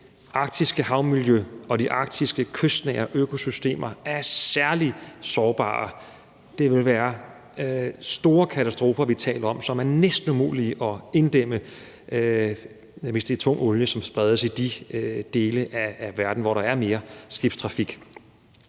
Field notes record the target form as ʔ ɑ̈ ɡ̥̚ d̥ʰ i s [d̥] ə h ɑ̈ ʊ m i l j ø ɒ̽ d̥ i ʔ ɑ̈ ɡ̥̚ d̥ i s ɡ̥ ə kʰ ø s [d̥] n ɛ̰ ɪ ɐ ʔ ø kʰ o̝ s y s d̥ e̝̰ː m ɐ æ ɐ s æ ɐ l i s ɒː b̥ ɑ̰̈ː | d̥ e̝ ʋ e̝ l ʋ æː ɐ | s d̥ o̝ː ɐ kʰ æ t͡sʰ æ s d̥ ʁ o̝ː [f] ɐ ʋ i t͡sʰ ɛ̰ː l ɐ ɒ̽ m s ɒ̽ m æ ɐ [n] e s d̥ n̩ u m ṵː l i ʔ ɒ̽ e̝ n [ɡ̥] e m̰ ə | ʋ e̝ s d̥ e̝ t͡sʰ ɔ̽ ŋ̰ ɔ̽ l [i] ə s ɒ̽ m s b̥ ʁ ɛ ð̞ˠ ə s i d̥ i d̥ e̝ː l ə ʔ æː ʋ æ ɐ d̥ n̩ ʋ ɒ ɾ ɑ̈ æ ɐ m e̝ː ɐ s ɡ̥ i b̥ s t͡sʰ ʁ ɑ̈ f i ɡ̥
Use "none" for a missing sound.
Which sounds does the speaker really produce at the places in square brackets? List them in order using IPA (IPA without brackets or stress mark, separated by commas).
ɡ̥, d̥, f, n, d̥, j